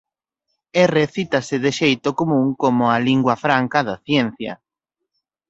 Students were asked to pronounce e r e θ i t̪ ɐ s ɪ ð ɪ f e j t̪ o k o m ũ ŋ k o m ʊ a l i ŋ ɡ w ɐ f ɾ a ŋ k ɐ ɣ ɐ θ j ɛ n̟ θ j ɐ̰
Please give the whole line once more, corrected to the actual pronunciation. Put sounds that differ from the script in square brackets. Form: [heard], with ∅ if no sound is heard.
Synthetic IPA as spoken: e r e θ i t̪ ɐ s ɪ ð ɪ [ʃ] e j t̪ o k o m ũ ŋ k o m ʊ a l i ŋ ɡ w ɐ f ɾ a ŋ k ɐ [ð] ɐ θ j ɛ n̟ θ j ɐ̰